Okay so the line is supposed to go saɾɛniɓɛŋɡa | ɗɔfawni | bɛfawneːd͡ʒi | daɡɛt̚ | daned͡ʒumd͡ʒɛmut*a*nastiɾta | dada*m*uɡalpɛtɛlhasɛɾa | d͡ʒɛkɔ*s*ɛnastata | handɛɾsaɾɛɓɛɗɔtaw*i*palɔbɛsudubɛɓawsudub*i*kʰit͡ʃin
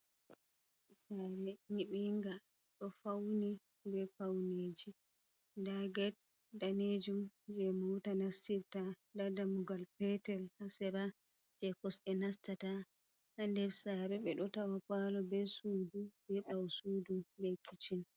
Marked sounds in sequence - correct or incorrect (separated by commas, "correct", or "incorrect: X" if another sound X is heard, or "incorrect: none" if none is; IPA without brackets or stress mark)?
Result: correct, correct, correct, incorrect: a, incorrect: ɛ